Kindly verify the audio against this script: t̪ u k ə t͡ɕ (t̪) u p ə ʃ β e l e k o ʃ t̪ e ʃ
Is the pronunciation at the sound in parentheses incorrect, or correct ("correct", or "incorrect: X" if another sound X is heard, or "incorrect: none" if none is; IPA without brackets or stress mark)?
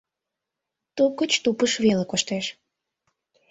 correct